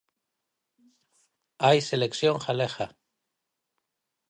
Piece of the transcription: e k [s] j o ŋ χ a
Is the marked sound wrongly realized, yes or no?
no